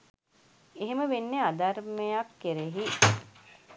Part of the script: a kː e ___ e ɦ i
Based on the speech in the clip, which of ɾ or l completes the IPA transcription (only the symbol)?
ɾ